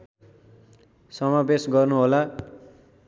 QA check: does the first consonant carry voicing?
no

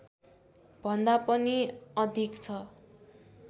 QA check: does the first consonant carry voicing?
yes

